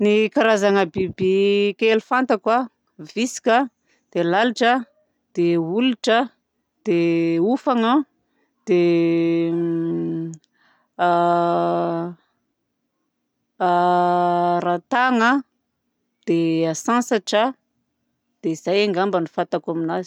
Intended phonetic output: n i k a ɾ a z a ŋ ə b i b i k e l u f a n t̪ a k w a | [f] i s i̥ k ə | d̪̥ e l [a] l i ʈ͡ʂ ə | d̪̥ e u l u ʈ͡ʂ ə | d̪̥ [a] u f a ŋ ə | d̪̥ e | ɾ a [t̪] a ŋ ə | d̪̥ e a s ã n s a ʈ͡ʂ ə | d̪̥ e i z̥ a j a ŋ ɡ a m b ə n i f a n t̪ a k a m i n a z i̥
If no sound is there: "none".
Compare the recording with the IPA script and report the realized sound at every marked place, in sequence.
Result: v, a, e, t̪

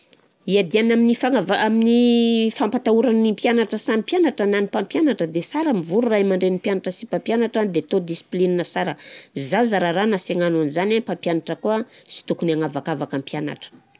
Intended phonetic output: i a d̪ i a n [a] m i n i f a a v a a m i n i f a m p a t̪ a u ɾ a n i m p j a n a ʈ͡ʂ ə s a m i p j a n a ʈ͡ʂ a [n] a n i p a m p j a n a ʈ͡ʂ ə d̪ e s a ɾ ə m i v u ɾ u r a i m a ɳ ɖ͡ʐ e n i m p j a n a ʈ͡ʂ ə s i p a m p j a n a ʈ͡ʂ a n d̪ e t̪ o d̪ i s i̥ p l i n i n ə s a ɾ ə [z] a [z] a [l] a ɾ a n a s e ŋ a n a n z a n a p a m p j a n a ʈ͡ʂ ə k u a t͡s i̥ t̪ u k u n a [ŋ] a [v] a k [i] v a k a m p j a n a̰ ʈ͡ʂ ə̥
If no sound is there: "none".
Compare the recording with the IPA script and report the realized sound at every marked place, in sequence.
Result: a, n, z, z, ɾ, ŋ, v, a

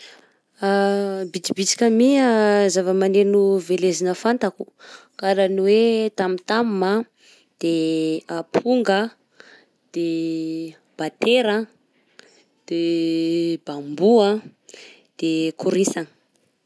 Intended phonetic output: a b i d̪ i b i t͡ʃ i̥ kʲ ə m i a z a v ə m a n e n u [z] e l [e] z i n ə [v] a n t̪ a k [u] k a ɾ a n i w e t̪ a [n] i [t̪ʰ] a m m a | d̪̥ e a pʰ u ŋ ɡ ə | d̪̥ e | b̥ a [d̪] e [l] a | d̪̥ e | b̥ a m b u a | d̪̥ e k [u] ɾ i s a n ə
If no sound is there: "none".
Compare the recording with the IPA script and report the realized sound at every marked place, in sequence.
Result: v, e, f, u, m, t̪, t̪, ɾ, u

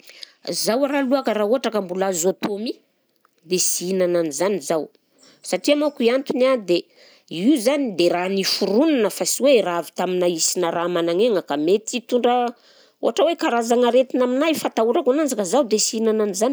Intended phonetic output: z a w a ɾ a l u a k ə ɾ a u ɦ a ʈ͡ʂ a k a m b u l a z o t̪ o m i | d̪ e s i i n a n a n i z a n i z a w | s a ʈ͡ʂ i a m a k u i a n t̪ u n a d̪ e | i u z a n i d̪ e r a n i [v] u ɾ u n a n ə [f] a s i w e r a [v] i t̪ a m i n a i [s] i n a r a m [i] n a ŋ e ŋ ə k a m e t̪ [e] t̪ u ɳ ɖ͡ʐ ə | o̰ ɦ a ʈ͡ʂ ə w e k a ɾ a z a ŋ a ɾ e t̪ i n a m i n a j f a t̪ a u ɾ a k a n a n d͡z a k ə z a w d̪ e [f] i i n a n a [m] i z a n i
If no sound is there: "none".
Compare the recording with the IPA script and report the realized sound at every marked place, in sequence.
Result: f, f, v, s, a, i, s, n

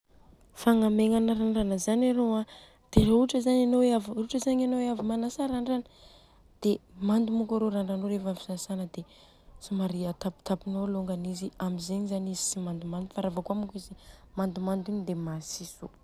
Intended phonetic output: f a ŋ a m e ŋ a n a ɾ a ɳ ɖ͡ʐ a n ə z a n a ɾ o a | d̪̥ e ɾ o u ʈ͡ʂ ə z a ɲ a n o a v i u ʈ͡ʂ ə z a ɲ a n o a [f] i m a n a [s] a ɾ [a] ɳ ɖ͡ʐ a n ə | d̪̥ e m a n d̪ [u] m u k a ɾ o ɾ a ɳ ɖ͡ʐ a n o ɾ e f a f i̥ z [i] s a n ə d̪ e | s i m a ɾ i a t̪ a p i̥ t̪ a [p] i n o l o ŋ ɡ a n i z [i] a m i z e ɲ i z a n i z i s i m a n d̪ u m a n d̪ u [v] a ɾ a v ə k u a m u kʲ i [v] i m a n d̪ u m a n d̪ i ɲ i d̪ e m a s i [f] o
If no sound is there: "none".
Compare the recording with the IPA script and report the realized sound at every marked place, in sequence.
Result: v, s, a, u, a, p, i, f, z, s

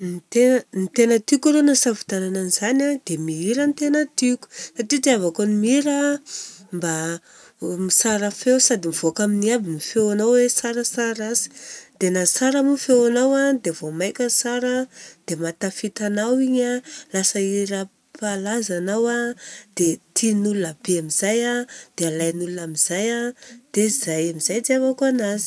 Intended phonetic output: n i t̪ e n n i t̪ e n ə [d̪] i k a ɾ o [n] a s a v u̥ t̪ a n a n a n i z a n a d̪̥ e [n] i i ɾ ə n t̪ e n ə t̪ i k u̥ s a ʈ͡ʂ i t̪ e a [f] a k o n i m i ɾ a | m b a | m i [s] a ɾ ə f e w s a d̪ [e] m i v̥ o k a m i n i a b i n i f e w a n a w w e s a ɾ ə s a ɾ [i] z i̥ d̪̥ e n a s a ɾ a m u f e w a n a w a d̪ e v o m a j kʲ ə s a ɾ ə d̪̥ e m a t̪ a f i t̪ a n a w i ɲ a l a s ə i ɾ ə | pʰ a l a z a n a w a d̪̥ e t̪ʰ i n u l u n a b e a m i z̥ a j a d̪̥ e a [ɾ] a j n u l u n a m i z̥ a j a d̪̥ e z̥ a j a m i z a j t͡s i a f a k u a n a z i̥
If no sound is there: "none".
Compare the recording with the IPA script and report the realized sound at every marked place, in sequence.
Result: t̪, n, m, v, s, i, a, l

